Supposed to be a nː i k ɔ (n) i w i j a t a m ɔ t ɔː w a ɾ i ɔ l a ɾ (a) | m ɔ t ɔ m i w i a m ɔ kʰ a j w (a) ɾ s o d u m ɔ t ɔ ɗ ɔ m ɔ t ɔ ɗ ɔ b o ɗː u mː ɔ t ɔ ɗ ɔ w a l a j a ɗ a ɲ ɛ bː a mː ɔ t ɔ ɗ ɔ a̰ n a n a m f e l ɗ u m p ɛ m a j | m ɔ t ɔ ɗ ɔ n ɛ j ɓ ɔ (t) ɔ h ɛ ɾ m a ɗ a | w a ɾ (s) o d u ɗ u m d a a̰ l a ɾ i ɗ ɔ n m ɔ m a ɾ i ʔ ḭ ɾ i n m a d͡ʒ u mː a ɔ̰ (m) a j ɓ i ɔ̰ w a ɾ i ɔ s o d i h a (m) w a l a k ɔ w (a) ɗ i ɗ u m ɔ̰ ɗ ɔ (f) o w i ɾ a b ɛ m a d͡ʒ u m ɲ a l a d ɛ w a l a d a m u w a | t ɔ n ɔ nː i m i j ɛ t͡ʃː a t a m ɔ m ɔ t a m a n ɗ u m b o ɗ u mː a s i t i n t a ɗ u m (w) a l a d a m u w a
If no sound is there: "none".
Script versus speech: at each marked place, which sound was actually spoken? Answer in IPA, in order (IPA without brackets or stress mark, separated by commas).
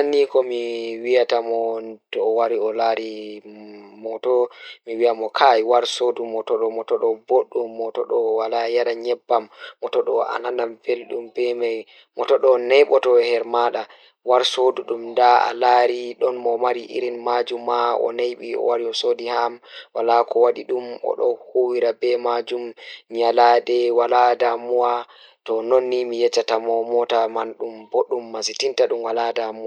m, i, a, t, s, n, m, a, h, w